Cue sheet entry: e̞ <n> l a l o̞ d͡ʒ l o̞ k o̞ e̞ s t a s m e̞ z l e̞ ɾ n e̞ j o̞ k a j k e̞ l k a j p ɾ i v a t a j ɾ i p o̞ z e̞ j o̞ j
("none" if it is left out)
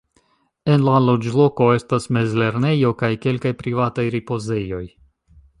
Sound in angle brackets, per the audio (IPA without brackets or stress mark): n